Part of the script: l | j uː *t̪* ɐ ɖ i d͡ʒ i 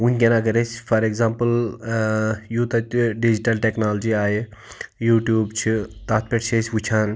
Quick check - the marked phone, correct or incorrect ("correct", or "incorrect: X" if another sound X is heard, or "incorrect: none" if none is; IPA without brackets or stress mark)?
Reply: correct